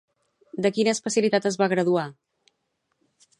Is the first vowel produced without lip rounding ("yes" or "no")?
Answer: yes